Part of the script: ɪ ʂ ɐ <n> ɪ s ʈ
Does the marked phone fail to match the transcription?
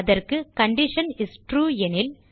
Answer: no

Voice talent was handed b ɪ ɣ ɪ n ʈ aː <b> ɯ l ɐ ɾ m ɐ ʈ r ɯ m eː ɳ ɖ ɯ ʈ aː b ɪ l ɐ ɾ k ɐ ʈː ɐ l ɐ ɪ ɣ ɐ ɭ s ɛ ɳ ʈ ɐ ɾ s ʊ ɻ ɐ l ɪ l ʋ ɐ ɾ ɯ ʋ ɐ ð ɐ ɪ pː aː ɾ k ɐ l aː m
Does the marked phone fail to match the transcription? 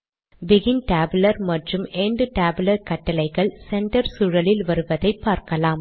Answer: no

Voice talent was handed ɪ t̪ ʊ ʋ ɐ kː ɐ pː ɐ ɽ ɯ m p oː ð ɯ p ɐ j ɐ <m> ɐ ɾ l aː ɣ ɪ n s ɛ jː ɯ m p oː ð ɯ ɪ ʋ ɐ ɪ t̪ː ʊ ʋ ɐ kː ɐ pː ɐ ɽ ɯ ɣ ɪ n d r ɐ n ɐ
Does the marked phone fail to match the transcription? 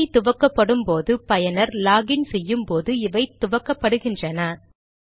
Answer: yes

